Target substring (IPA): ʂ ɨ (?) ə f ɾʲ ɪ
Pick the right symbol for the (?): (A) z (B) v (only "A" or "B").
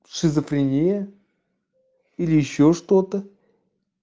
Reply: A